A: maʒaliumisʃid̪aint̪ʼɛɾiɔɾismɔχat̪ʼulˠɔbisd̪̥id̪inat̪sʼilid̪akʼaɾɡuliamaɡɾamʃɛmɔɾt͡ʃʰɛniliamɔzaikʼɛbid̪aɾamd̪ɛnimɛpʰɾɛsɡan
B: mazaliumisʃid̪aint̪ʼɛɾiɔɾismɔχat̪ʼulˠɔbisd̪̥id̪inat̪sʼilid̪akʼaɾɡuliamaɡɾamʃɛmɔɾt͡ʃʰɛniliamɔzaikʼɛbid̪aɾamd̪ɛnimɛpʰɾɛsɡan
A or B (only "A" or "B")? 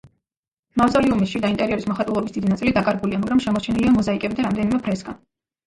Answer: B